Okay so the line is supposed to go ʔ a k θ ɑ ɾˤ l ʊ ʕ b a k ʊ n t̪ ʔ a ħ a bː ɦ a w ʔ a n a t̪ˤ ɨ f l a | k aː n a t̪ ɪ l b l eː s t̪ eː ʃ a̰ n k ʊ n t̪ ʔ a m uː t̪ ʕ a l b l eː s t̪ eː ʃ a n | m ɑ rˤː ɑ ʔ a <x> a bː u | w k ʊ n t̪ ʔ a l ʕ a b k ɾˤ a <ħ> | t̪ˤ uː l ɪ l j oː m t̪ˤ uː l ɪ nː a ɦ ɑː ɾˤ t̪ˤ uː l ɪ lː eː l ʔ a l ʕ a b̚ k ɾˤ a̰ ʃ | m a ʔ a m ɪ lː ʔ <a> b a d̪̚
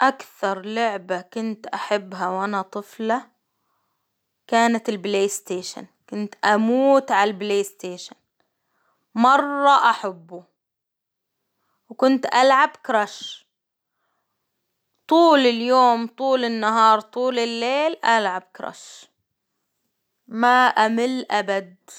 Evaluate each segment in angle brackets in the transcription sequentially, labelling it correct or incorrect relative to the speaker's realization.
incorrect: ħ, incorrect: ʃ, correct

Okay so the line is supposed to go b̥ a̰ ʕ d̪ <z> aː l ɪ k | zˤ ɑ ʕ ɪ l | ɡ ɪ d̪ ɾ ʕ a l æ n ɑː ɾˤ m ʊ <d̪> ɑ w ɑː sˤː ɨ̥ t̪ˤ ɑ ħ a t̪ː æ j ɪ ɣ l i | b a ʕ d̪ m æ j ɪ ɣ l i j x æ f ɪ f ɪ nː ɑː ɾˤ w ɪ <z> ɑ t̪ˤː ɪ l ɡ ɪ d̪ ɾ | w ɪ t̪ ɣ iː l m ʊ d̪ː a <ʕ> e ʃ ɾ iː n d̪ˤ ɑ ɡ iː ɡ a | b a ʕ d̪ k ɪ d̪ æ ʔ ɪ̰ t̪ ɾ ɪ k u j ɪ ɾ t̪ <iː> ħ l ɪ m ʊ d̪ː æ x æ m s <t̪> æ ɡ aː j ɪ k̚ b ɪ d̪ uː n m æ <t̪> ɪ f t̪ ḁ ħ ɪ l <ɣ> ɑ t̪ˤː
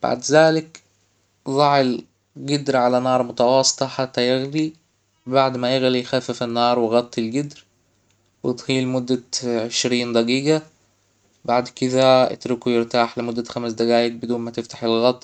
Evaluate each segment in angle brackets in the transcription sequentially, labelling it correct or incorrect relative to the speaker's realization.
correct, incorrect: t̪, incorrect: ɣ, correct, incorrect: aː, incorrect: d̪, correct, correct

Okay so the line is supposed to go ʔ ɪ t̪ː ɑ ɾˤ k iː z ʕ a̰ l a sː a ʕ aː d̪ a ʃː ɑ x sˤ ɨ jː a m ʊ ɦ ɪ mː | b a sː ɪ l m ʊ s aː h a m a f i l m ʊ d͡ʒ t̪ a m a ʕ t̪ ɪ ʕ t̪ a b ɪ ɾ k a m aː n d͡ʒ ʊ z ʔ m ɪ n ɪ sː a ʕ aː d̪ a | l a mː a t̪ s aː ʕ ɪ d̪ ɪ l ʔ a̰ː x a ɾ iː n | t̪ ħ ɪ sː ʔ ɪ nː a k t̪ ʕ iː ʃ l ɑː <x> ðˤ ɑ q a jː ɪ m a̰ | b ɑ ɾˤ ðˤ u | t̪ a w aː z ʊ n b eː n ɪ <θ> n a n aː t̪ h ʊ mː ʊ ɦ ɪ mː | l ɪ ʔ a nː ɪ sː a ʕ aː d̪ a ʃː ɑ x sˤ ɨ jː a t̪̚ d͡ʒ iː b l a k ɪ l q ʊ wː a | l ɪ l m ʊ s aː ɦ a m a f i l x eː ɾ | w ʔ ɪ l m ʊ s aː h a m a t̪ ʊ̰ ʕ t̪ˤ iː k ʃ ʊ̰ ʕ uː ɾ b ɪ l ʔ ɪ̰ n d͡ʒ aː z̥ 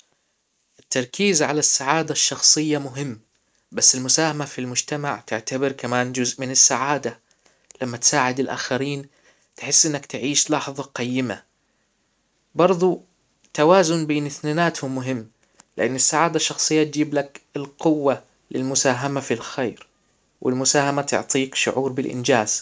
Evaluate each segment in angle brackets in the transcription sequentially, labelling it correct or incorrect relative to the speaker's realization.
incorrect: ħ, correct

